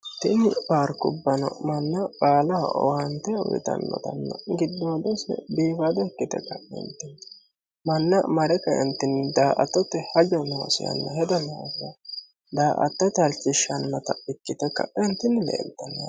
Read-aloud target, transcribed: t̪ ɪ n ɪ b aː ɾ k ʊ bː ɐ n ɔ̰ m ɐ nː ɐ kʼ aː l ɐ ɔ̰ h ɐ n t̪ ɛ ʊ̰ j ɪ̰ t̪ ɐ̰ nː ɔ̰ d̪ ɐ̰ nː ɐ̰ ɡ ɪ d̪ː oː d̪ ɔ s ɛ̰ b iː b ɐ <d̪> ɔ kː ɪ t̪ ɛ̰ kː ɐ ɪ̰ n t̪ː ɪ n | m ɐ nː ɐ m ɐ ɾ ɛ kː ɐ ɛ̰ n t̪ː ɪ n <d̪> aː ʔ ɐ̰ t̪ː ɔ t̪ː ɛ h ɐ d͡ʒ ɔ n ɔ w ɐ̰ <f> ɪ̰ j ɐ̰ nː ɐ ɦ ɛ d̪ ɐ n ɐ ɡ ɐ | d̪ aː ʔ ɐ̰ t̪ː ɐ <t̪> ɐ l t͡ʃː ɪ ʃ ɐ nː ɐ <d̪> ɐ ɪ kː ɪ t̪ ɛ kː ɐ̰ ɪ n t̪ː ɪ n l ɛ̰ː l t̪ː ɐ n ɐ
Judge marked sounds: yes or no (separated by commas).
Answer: yes, yes, no, yes, no